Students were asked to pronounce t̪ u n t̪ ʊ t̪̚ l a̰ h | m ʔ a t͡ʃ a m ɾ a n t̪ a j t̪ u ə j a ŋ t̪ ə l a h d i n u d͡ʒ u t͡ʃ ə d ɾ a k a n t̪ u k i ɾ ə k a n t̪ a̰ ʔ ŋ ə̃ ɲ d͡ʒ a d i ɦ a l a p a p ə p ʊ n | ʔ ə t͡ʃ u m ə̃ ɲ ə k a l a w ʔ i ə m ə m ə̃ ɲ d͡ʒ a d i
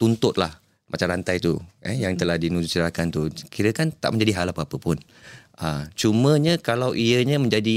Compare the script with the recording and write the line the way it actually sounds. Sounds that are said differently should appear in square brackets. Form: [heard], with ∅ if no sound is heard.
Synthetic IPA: t̪ u n t̪ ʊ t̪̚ l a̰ h | m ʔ a t͡ʃ a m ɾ a n t̪ a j t̪ u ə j a ŋ t̪ ə l a h d i n u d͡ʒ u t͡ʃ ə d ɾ a k a n t̪ u k i ɾ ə k a n t̪ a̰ ʔ [m] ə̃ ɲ d͡ʒ a d i ɦ a l a p a p ə p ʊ n | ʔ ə t͡ʃ u m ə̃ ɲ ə k a l a w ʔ i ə [ɲ] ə m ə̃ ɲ d͡ʒ a d i